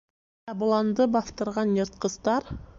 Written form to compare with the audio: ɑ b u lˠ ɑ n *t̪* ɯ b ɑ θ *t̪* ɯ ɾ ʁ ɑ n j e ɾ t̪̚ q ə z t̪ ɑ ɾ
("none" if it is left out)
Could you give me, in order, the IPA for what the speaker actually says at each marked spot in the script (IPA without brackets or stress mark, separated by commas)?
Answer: d̪, t̪